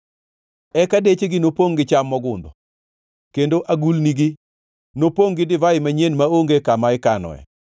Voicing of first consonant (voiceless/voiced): voiceless